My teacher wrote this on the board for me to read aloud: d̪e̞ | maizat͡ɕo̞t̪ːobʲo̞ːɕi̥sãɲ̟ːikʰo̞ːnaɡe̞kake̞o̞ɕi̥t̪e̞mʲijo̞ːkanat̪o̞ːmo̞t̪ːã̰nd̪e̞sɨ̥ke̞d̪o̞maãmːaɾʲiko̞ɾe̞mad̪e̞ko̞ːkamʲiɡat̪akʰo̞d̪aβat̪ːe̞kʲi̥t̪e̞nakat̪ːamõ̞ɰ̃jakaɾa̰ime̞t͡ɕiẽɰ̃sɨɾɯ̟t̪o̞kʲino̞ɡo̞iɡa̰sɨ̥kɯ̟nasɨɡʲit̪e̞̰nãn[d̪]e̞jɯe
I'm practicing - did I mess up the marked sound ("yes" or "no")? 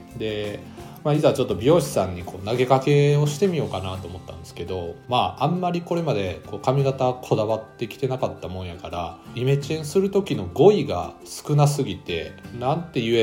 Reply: yes